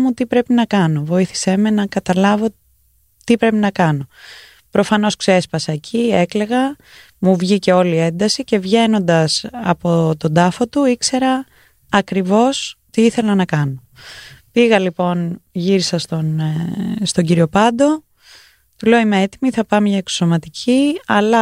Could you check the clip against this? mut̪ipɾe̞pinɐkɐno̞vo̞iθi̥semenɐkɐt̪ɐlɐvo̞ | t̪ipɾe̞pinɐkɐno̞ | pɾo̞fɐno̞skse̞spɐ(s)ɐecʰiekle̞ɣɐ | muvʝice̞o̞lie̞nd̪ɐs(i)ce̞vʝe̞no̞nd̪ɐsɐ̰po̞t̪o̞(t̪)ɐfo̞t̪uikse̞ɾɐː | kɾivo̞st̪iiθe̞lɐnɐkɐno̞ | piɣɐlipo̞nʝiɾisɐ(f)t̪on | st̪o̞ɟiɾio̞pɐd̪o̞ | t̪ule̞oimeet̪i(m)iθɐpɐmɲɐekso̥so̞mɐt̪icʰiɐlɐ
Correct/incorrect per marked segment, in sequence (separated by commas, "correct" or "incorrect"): correct, correct, incorrect, incorrect, correct